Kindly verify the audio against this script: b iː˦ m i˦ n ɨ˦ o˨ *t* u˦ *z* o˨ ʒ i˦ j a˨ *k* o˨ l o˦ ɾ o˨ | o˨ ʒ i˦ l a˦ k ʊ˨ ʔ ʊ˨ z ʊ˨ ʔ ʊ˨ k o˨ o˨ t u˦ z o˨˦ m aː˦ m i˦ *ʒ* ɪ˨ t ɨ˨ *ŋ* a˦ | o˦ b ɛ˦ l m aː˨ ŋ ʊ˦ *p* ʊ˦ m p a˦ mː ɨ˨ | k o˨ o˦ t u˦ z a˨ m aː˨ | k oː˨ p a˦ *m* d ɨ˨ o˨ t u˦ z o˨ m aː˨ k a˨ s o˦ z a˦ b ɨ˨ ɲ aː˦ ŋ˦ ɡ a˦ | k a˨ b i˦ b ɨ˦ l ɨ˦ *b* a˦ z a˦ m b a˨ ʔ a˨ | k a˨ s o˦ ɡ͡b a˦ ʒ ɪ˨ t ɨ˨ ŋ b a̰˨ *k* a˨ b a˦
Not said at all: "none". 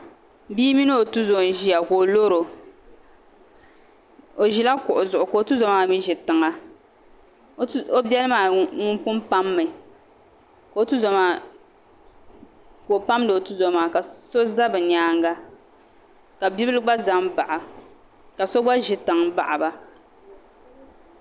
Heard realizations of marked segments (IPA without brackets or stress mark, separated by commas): t, z, k, ʒ, ŋ, p, m, ɡ͡b, ʔ